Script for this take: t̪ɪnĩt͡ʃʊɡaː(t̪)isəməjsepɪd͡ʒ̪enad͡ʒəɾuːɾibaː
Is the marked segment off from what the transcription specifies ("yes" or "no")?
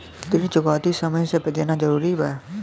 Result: no